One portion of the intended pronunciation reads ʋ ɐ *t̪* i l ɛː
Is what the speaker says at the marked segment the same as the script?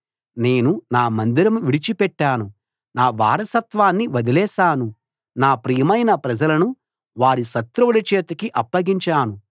no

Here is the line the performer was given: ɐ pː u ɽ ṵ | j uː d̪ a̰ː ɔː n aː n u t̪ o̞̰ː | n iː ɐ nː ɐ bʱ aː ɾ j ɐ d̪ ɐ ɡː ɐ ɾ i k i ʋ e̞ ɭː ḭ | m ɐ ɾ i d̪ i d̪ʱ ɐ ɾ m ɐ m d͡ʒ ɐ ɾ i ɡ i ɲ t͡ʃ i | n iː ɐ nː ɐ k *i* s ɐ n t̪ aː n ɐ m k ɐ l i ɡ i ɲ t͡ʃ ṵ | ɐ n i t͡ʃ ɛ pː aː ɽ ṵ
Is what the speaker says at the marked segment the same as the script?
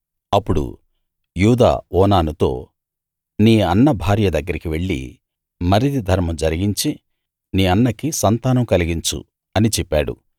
yes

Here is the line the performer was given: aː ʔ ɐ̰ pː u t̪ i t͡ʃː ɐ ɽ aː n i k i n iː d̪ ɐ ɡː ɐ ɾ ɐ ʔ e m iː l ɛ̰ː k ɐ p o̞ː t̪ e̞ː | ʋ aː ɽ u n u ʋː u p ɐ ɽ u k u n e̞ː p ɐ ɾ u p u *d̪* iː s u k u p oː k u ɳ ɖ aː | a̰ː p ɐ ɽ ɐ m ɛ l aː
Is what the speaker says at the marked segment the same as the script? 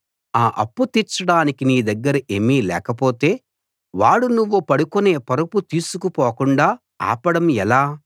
no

